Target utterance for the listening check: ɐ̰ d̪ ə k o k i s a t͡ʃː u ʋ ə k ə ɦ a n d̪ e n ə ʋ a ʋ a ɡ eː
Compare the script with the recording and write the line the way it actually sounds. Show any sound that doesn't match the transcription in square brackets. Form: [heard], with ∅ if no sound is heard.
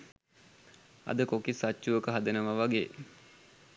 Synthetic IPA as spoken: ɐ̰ d̪ ə k o k i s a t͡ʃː u ʋ ə k ə ɦ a [∅] d̪ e n ə ʋ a ʋ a ɡ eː